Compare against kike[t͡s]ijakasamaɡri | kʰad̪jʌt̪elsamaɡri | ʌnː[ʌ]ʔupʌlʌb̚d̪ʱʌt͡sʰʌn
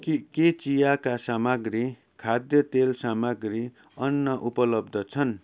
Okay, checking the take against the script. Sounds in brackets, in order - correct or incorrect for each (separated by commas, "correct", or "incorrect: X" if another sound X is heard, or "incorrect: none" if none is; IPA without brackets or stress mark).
correct, correct